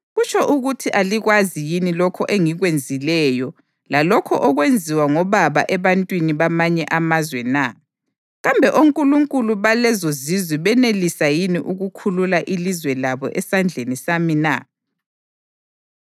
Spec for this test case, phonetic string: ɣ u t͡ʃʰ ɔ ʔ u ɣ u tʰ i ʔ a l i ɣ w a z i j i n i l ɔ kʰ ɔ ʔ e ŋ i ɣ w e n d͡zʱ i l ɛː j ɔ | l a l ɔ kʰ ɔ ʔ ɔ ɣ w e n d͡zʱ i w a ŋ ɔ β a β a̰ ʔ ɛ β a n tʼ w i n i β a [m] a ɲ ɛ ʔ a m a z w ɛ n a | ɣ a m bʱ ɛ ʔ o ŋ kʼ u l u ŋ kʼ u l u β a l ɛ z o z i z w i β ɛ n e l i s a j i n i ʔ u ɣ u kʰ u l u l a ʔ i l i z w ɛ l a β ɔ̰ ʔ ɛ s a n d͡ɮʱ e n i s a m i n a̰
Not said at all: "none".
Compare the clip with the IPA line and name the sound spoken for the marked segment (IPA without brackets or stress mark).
m